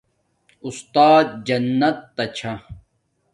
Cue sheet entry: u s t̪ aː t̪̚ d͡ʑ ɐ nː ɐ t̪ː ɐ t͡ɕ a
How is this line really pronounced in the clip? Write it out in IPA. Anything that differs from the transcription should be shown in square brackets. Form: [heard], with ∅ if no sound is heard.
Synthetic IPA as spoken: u s t̪ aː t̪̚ d͡ʑ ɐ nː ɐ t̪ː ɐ [t͡ɕʰ] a